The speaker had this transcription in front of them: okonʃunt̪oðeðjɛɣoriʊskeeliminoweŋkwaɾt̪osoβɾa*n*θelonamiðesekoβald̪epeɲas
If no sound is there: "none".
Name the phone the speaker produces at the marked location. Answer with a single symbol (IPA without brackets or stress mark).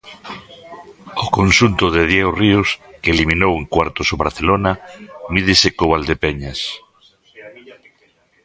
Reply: none